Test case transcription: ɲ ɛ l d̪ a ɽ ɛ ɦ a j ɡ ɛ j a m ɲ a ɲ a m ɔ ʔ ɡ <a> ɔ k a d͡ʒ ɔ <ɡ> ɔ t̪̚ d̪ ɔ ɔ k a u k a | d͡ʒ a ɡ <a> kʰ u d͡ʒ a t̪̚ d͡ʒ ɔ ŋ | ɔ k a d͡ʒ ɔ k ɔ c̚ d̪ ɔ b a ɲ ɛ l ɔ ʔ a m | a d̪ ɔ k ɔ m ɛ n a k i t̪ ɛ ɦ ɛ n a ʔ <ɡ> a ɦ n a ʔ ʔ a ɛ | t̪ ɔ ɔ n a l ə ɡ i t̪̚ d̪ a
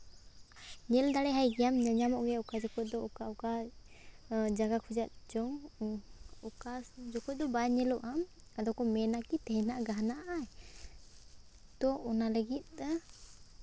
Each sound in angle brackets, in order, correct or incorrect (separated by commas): incorrect, incorrect, correct, correct